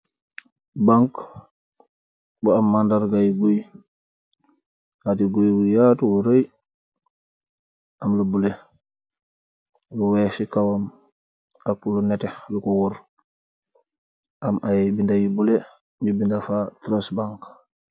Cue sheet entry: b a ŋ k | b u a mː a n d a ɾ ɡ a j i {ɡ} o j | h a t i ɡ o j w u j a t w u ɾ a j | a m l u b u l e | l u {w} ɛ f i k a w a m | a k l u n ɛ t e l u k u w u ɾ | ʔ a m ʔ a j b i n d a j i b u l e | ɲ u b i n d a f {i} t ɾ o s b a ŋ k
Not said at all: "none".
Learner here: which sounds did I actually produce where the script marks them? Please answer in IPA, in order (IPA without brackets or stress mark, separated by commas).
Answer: ɡ, w, a